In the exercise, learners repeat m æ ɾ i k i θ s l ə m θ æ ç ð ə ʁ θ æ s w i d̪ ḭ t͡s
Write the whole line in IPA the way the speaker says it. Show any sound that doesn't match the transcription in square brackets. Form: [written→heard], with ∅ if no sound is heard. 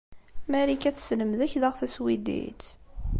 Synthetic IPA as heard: m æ ɾ i k [i→æ] θ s l ə m [θ→ð] æ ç ð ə ʁ θ æ s w i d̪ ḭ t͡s